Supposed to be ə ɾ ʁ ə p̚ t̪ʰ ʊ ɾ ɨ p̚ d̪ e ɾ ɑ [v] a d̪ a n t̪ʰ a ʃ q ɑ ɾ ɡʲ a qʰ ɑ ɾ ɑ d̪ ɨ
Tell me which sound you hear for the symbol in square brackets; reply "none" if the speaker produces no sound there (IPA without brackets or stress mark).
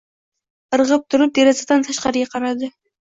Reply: z